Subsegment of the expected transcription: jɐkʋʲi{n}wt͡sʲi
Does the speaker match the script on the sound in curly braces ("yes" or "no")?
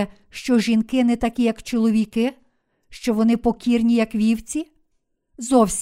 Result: no